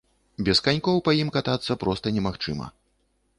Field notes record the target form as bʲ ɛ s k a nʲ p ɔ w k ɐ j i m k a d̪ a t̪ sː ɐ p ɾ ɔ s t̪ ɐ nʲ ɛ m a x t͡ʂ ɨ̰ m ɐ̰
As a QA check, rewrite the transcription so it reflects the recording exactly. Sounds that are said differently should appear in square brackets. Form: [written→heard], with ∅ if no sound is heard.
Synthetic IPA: bʲ ɛ s k a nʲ [p→k] ɔ w [k→p] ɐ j i m k a [d̪→t̪] a t̪ sː ɐ p ɾ ɔ s t̪ ɐ nʲ ɛ m a x t͡ʂ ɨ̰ m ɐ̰